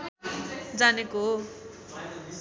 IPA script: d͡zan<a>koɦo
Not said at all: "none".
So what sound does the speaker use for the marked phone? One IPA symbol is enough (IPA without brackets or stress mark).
e